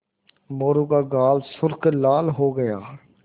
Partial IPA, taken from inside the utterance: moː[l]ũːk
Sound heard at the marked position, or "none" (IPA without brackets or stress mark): ɾ